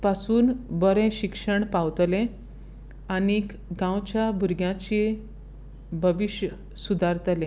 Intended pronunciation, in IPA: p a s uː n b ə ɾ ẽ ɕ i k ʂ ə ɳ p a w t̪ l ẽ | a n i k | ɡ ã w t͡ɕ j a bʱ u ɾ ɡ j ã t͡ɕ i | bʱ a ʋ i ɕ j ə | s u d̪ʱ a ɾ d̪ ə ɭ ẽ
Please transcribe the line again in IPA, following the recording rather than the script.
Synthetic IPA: p a s uː n b ə ɾ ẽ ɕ i k ʂ ə ɳ p a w t̪ l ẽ | a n i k | ɡ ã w t͡ɕ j a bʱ u ɾ ɡ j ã t͡ɕ i | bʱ ə ʋ i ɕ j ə | s u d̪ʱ a ɾ t̪ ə l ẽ

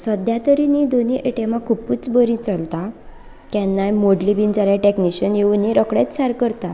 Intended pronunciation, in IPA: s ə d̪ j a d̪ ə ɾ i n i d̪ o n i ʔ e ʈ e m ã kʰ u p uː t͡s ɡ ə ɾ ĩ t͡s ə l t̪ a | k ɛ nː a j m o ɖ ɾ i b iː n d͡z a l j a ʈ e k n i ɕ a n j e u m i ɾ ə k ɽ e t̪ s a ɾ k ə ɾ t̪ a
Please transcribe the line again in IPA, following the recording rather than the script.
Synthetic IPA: s ə d̪ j a t̪ ə ɾ i n i d̪ o n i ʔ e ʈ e m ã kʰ u p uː t͡s b ə ɾ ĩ t͡s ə l t̪ a | k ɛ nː a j m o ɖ l i b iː n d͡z a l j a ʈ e k n i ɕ ə n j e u n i ɾ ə k ɽ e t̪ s a ɾ k ə ɾ t̪ a

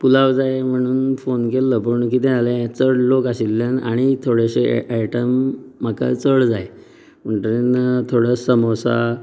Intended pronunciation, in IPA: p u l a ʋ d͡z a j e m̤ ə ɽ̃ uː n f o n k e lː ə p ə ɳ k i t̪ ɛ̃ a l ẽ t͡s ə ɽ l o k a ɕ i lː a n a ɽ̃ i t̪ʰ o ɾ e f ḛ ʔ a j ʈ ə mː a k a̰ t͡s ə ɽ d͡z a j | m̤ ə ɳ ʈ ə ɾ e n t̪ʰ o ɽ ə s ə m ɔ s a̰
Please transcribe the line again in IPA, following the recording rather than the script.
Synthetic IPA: p u l a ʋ d͡z a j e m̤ ə ɽ̃ uː n f o n k e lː ə p ə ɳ k i t̪ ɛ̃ a l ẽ t͡s ə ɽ l o k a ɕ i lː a n a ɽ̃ i t̪ʰ o ɽ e ɕ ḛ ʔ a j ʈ ə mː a k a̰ t͡s ə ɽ d͡z a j | m̤ ə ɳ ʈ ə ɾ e n t̪ʰ o ɽ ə s ə m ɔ s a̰

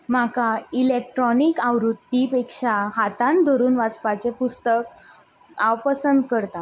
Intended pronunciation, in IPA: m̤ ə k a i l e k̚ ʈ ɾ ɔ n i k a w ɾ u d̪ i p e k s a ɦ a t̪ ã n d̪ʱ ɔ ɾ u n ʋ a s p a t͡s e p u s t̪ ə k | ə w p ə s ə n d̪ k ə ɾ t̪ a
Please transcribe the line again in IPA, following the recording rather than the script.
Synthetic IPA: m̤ a k a i l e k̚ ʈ ɾ ɔ n i k a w ɾ u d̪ i p e k ʂ a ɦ a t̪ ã n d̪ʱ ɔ ɾ uː n ʋ a t͡s p a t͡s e p u s t̪ ə k | a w p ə s ə n d̪ k ə ɾ t̪ a

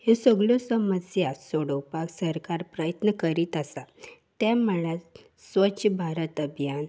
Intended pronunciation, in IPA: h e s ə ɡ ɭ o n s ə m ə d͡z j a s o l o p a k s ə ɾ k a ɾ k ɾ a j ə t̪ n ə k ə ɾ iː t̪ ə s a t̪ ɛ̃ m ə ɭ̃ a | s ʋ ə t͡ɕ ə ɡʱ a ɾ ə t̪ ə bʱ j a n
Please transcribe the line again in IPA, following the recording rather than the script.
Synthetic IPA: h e s ə ɡ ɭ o s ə m ə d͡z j a s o ɽ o p a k s ə ɾ k a ɾ p ɾ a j ə t̪ n ə k ə ɾ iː t̪ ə s a t̪ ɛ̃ m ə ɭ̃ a | s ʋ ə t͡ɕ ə bʱ a ɾ ə t̪ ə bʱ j a n

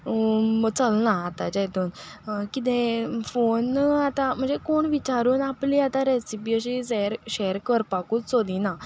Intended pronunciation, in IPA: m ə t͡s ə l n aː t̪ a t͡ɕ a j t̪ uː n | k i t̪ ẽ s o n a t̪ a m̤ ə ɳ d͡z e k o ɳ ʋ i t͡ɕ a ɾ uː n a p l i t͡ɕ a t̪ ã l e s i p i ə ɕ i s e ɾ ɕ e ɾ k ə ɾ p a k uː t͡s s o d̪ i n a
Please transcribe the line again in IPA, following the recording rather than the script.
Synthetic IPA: m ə t͡s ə l n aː t̪ a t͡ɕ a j t̪ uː n | k i t̪ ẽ f o n a t̪ a m̤ ə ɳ d͡z e k o ɳ ʋ i t͡ɕ a ɾ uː n a p l i a t̪ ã ɾ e s i p i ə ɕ i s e ɾ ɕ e ɾ k ə ɾ p a k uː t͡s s o d̪ i n a

